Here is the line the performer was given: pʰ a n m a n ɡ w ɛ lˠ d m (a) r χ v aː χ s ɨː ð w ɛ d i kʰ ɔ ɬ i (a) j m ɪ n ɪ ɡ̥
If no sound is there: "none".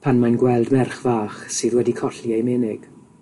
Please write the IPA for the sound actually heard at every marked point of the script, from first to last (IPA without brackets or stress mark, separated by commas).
ɛ, e